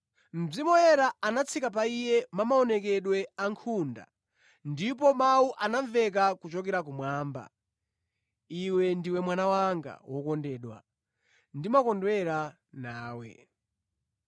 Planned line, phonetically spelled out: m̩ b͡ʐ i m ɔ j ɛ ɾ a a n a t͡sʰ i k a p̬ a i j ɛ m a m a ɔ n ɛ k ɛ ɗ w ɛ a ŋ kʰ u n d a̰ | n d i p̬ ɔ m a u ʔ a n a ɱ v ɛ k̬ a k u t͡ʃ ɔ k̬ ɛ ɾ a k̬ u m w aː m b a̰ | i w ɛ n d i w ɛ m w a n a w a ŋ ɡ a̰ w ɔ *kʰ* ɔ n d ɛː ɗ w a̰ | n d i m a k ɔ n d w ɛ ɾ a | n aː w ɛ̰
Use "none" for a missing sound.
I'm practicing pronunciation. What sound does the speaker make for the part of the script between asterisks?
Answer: k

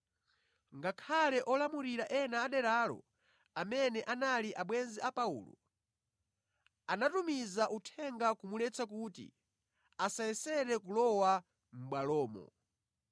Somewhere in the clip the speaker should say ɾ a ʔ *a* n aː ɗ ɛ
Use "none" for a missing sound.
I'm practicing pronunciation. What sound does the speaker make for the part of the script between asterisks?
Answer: ɛ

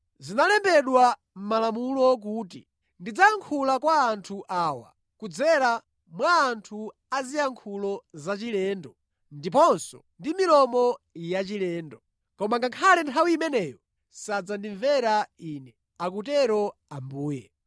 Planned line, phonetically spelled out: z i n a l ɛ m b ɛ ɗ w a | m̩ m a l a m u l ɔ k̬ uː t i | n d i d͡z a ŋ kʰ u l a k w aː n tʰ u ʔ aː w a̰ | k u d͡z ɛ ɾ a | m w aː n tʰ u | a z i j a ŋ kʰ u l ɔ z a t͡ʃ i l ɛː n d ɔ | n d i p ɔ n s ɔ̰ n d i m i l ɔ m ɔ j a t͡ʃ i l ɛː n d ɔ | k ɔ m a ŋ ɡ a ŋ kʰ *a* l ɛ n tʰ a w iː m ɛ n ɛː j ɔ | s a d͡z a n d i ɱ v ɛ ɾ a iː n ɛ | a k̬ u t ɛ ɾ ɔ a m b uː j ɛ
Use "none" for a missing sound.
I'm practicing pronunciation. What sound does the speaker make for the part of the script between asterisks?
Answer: a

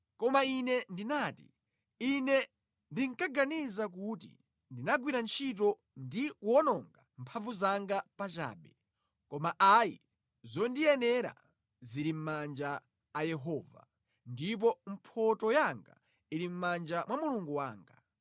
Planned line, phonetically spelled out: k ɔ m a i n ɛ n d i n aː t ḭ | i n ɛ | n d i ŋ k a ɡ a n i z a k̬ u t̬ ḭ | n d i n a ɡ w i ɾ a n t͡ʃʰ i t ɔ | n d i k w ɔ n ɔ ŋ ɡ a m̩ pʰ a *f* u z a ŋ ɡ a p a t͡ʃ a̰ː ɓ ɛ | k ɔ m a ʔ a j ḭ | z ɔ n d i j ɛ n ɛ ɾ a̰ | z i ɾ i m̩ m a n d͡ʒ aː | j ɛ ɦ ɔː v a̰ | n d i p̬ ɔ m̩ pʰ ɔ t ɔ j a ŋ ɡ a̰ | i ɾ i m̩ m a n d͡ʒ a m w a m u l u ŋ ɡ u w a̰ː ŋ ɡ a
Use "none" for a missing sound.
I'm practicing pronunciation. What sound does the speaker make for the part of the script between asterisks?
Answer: v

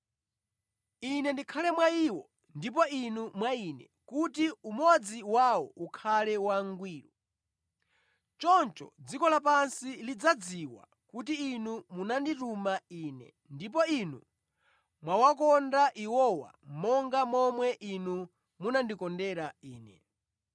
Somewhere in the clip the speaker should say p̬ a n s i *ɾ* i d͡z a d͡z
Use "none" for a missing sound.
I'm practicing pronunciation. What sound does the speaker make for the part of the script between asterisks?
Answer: l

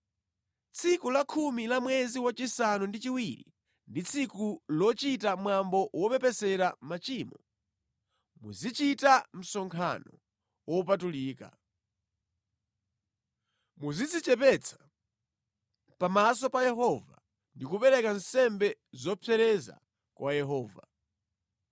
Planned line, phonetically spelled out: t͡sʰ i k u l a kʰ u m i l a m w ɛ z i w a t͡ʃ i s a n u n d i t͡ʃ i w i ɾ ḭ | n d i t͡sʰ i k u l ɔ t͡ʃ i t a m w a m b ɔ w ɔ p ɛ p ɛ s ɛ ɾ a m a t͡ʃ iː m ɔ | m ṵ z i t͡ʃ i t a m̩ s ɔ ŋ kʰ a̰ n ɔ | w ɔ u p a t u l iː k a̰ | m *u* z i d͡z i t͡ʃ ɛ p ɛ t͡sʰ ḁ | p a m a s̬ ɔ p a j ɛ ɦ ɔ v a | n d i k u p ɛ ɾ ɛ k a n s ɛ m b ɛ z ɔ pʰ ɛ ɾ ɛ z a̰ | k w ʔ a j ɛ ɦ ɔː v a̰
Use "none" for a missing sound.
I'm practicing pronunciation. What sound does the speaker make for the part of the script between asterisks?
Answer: u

